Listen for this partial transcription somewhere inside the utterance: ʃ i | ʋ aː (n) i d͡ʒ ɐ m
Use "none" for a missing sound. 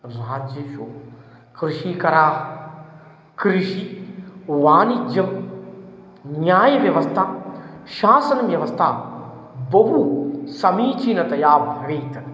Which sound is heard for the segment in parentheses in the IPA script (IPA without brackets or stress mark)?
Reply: n